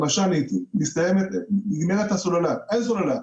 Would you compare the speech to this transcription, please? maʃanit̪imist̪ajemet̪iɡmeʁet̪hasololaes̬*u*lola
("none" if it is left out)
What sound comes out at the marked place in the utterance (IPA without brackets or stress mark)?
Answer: o